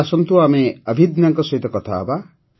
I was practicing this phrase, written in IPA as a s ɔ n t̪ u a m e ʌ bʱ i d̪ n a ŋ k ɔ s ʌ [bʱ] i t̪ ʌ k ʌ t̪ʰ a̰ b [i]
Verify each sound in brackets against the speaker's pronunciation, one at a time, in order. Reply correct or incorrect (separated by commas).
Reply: incorrect, incorrect